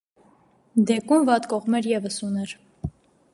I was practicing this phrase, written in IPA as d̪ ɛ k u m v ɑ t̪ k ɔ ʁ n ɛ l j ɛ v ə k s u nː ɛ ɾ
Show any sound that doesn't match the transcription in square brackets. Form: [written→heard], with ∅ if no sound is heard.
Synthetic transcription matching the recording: d̪ ɛ k u m v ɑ t̪ k ɔ ʁ [n→m] ɛ [l→ɾ] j ɛ v ə [k→∅] s u [nː→n] ɛ ɾ